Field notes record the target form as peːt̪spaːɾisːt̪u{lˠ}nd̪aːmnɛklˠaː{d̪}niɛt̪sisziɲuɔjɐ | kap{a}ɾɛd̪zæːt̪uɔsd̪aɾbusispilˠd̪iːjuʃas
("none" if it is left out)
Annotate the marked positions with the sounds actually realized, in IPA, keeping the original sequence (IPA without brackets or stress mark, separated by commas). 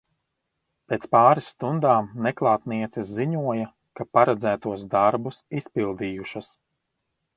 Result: none, t̪, a